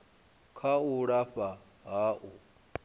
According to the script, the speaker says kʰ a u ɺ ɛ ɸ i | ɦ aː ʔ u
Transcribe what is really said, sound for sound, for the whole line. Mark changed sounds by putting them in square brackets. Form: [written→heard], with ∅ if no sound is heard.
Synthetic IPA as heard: kʰ a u ɺ [ɛ→a] ɸ [i→a] | ɦ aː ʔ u